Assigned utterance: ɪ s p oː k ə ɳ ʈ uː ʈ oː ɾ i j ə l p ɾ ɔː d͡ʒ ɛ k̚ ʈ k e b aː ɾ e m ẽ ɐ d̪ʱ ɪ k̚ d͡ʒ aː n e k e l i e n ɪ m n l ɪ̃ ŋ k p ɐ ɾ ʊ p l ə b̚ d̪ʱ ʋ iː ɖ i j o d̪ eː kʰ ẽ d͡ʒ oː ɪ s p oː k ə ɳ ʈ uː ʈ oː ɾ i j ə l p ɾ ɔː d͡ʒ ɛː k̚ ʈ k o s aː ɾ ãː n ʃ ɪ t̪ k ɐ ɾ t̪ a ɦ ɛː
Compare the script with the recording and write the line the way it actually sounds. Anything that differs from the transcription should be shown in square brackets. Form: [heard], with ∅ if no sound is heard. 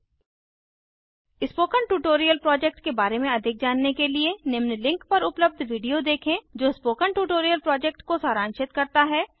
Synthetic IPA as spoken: ɪ s p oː k ə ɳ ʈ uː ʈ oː ɾ i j ə l p ɾ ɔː d͡ʒ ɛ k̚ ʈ k e b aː ɾ e m ẽ ɐ d̪ʱ ɪ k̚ d͡ʒ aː [nː] e k e l i e n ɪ m n l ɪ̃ ŋ k p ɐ ɾ ʊ p l ə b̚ d̪ʱ ʋ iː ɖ i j o d̪ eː kʰ ẽ d͡ʒ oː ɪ s p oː k ə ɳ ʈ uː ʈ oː ɾ i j ə l p ɾ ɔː d͡ʒ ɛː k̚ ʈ k o s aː ɾ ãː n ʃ ɪ t̪ k ɐ ɾ t̪ a ɦ ɛː